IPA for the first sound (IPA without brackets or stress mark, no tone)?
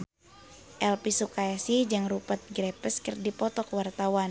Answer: ʔ